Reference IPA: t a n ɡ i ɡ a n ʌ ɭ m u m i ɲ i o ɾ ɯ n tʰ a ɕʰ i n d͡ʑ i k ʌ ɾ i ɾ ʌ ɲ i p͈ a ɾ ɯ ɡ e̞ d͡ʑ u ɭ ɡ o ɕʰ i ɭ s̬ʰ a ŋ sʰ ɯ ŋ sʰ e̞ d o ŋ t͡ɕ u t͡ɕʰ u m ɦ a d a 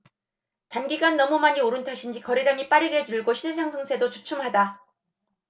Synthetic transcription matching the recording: t a n ɡ i ɡ a nː ʌ m u m a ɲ i o ɾ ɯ n tʰ a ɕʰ i n d͡ʑ i k ʌ ɾ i ɾ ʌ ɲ i p͈ a ɾ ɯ ɡ e̞ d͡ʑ u ɭ ɡ o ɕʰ i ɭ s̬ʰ a ŋ sʰ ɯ ŋ sʰ e̞ d o t͡ɕ u t͡ɕʰ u m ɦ a d a